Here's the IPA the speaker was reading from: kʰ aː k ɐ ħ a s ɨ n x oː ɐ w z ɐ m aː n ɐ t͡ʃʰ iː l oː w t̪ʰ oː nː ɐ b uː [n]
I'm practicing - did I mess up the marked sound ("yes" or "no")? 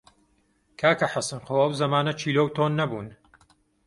no